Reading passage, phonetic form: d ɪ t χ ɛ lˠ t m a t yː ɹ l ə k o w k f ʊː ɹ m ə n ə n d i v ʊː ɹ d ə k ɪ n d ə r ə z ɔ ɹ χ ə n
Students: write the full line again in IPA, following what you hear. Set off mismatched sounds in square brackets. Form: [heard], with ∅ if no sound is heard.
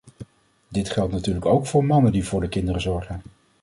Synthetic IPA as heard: d ɪ t χ ɛ lˠ t [n] a t yː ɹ l ə k o w k f ʊː ɹ m [ɑ] n ə n d i v ʊː ɹ d ə k ɪ n d ə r ə z ɔ ɹ χ ə n

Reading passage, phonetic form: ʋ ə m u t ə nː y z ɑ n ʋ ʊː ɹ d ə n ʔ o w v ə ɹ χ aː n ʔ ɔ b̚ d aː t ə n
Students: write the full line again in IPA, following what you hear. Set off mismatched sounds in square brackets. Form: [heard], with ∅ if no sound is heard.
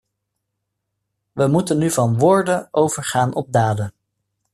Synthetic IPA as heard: ʋ ə m u t ə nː y [v] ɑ n ʋ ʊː ɹ d ə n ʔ o w v ə ɹ χ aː n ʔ ɔ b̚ d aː [d] ə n

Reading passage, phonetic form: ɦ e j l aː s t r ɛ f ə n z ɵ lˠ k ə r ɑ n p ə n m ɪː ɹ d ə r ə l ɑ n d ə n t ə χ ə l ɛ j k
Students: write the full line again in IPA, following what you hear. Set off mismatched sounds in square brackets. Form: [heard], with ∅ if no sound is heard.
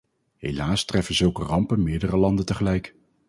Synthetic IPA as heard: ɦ e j l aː s t r ɛ f ə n z ɵ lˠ k ə r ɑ [m] p ə n m ɪː ɹ d ə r ə l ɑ n d ə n t ə χ ə l ɛ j k

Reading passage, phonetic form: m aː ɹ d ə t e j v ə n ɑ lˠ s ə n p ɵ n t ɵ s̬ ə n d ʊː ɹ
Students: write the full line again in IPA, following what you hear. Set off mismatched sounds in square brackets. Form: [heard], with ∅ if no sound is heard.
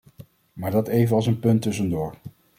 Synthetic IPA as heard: m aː ɹ d [ɑ] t e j v ə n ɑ lˠ s ə n p ɵ n t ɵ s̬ ə n d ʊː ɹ

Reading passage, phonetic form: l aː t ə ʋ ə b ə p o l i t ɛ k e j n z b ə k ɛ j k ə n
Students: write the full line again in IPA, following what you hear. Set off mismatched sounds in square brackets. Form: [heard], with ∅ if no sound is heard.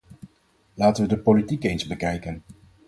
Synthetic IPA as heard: l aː t ə ʋ ə [d] ə p o l i t [i] k e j n z b ə k ɛ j k ə n

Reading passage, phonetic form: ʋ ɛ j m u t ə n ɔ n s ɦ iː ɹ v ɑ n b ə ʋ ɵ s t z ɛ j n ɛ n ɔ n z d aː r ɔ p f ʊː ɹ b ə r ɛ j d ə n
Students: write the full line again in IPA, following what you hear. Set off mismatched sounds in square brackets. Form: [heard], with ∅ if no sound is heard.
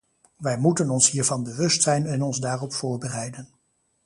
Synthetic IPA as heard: ʋ ɛ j m u t ə n ɔ n s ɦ iː ɹ v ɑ n b ə ʋ ɵ s t [s] ɛ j n ɛ n ɔ n z d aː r ɔ p f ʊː ɹ b ə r ɛ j d ə n

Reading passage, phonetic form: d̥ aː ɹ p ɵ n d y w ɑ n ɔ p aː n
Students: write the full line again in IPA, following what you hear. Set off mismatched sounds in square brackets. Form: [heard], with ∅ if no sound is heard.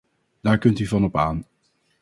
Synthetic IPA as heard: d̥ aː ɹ [k] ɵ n [t] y [v] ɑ n ɔ p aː n

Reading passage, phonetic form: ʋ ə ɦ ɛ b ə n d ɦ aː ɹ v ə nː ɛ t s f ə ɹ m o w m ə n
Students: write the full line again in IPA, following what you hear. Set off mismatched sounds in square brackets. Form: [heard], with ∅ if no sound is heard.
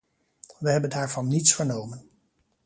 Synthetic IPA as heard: ʋ ə ɦ ɛ b ə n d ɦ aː ɹ v [ɑ] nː [i] t s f ə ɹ [n] o w m ə n

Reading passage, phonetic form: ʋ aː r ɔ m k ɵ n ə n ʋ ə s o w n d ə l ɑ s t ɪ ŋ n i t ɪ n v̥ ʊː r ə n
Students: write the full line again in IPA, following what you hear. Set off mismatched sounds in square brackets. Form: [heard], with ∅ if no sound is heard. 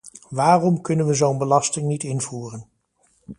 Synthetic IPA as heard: ʋ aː r ɔ m k ɵ n ə n ʋ ə [z] o w n [b] ə l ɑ s t ɪ ŋ n i t ɪ n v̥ [uː] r ə n

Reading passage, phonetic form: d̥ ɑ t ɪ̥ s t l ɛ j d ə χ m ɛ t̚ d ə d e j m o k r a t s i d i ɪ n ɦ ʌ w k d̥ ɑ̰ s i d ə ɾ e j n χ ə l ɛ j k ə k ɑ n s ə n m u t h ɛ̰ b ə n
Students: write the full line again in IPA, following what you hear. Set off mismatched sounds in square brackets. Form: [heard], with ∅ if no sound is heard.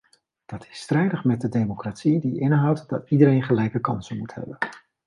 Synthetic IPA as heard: d̥ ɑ t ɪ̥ s t [r] ɛ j d ə χ m ɛ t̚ d ə d e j m o k r a t s i d i ɪ n ɦ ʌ w [t] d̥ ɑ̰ [t] i d ə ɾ e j n χ ə l ɛ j k ə k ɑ n s ə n m u t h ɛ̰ b ə n

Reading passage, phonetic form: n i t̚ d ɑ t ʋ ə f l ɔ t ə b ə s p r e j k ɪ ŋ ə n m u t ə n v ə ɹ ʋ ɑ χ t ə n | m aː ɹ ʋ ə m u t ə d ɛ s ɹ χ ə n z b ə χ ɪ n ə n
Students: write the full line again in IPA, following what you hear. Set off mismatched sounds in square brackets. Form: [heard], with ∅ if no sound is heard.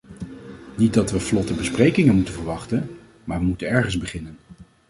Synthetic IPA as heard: n i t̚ d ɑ t ʋ ə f l ɔ t ə b ə s p r e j k ɪ ŋ ə n m u t ə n v ə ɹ ʋ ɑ χ t ə n | m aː ɹ ʋ ə m u t ə [n] ɛ [∅] ɹ χ ə n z b ə χ ɪ n ə n

